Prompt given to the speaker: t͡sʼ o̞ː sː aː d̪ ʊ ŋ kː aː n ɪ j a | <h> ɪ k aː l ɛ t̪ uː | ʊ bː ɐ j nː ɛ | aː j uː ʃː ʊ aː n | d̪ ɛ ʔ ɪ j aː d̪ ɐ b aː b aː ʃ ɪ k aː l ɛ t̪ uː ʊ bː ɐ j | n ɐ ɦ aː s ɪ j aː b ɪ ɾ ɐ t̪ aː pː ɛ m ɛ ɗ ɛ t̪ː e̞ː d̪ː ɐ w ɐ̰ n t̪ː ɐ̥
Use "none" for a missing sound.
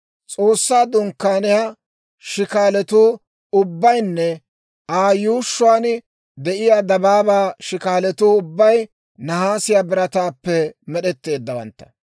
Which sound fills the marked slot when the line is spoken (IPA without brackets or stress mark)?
ʃ